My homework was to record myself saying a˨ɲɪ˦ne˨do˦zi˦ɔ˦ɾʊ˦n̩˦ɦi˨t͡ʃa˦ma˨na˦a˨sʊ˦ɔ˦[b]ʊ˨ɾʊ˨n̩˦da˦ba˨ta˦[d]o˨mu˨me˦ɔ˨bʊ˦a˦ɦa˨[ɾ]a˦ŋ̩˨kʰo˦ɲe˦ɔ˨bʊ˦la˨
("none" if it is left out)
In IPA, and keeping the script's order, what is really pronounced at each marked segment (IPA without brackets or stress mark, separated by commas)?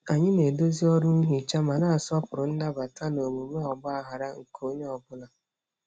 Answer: p, n, ɾ